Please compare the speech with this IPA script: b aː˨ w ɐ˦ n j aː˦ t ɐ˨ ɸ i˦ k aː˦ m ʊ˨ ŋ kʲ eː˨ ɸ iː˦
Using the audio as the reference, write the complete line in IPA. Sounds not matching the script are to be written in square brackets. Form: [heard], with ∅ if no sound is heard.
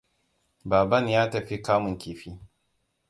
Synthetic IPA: b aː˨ [b] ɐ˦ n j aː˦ t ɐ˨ ɸ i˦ k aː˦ m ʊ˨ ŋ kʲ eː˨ ɸ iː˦